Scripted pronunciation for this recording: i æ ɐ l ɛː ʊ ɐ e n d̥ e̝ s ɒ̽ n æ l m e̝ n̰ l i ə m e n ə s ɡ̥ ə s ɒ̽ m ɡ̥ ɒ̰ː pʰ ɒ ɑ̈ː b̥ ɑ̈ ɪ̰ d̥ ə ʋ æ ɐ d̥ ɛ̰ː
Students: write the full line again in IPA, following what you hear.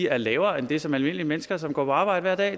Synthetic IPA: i æ ɐ l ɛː ʊ ɐ e n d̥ e̝ s ɒ̽ m æ l m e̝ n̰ l i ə m e n ə s ɡ̥ ɐ s ɒ̽ m ɡ̥ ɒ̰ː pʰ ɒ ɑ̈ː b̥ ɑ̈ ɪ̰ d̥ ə ʋ æ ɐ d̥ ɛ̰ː